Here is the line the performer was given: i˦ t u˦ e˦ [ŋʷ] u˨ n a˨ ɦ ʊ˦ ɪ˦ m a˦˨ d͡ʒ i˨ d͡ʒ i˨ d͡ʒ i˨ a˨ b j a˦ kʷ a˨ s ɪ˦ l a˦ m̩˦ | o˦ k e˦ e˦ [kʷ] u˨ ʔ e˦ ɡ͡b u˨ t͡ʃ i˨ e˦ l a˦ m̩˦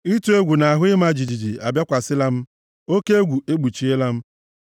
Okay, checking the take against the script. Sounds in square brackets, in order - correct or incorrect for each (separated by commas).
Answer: incorrect, incorrect